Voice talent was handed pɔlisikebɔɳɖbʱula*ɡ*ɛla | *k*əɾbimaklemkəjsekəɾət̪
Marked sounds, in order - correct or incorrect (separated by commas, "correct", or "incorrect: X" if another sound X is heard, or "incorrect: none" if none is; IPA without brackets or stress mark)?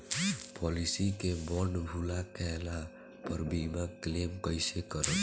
incorrect: k, incorrect: p